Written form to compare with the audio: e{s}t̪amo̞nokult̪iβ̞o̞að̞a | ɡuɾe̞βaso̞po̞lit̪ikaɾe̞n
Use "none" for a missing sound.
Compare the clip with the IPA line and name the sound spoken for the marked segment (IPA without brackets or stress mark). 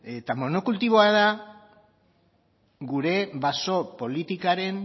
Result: none